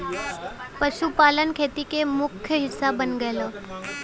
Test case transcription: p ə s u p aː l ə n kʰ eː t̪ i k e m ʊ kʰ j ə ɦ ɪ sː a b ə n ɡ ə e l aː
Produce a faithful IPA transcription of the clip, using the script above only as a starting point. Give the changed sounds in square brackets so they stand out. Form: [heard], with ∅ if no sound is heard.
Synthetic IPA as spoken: p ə [ʃ] u p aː l ə n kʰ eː t̪ i k e m ʊ kʰ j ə ɦ ɪ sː a b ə n ɡ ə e l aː